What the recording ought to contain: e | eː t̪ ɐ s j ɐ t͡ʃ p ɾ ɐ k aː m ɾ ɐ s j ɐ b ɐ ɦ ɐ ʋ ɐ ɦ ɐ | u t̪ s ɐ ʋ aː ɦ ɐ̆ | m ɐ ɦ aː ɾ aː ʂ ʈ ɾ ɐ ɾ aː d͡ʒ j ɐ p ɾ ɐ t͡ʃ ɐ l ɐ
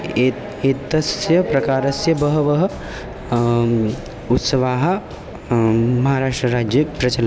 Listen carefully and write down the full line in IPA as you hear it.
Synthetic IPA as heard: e | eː t̪ ɐ s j ɐ p ɾ ɐ k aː ɾ ɐ s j ɐ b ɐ ɦ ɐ ʋ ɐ ɦ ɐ | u t̪ s ɐ ʋ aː ɦ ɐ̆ | m ɐ ɦ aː ɾ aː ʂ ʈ ɾ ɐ ɾ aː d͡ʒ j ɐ p ɾ ɐ t͡ʃ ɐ l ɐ

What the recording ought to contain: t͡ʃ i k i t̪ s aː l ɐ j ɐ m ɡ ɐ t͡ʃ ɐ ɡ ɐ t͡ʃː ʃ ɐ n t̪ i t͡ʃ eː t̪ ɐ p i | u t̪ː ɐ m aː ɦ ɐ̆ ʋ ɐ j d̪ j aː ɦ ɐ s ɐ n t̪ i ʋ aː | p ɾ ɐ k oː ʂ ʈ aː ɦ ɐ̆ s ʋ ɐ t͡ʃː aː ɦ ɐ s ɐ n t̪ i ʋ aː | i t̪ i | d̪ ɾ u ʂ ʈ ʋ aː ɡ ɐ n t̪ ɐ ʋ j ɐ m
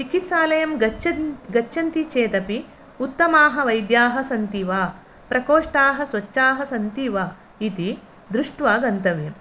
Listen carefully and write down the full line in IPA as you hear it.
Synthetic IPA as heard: t͡ʃ i k i t̪ s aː l ɐ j ɐ m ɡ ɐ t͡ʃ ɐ ɡ ɐ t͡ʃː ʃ ɐ n t̪ i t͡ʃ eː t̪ ɐ p i | u t̪ː ɐ m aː ɦ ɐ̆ ʋ ɐ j d̪ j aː ɦ ɐ s ɐ n t̪ i ʋ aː | p ɾ ɐ k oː ʂ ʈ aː ɦ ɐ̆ s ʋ ɐ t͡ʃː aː ɦ ɐ s ɐ n t̪ i ʋ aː | i t̪ i | d̪ ɾ u ʂ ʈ ʋ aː ɡ ɐ n t̪ ɐ ʋ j ɐ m

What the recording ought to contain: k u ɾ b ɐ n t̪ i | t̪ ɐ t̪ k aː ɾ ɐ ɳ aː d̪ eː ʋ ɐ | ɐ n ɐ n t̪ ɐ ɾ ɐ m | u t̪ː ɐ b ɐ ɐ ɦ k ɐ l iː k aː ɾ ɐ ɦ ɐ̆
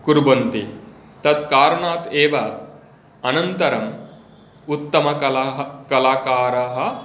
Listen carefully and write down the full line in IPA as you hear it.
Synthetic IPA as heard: k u ɾ b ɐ n t̪ i | t̪ ɐ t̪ k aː ɾ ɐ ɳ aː t̪ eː ʋ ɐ | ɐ n ɐ n t̪ ɐ ɾ ɐ m | u t̪ː ɐ m ɐ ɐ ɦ k ɐ l aː k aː ɾ ɐ ɦ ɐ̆

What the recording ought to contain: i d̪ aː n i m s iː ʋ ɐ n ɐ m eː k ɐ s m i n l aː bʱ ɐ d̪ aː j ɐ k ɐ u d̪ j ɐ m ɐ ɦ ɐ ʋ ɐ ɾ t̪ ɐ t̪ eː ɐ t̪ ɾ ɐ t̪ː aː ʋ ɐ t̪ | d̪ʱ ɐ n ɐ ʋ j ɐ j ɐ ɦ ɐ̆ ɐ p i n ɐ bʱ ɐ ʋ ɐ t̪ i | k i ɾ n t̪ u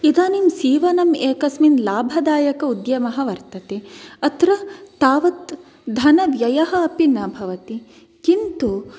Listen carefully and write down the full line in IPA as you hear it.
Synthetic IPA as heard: i d̪ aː n i m s iː ʋ ɐ n ɐ m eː k ɐ s m i n l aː bʱ ɐ d̪ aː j ɐ k ɐ u d̪ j ɐ m ɐ ɦ ɐ ʋ ɐ ɾ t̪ ɐ t̪ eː ɐ t̪ ɾ ɐ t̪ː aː ʋ ɐ t̪ | d̪ʱ ɐ n ɐ ʋ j ɐ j ɐ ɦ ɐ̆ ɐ p i n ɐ bʱ ɐ ʋ ɐ t̪ i | k i n t̪ u

